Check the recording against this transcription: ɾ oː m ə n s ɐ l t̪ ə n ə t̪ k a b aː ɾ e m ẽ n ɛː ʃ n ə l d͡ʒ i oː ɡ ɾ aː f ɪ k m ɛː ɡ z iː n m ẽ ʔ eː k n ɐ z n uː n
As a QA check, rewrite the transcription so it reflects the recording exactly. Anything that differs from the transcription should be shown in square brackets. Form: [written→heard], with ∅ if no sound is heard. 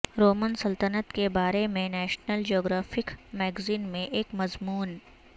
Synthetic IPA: ɾ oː m ə n s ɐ l t̪ ə n ə t̪ k [a→e] b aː ɾ e m ẽ n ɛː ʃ n ə l d͡ʒ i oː ɡ ɾ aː f ɪ k m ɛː ɡ z iː n m ẽ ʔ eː k [n→m] ɐ z [n→m] uː n